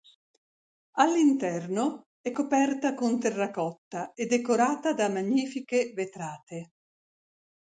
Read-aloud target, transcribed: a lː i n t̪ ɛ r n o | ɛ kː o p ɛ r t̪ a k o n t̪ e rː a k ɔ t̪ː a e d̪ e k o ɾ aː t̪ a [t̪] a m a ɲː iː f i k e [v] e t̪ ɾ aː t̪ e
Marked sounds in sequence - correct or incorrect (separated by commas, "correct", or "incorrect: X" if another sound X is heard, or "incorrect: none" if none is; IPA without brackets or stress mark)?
incorrect: d̪, correct